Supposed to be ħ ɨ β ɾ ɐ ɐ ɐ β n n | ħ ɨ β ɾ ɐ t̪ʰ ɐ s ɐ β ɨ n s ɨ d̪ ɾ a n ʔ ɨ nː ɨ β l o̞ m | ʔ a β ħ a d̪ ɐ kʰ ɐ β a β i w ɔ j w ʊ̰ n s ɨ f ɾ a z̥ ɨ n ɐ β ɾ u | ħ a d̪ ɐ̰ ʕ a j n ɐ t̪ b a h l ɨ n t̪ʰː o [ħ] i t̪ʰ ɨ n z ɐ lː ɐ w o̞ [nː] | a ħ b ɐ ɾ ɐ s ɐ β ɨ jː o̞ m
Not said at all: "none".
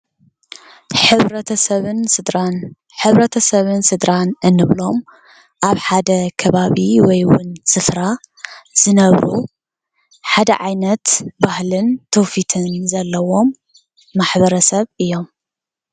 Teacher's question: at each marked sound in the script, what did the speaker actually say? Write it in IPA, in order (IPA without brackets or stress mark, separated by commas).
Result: f, mː